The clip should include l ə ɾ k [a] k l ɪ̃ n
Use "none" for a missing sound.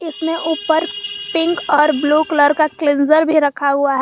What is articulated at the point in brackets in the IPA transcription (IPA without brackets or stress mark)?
a